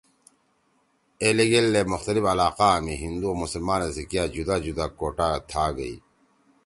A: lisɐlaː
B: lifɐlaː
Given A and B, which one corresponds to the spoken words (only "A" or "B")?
B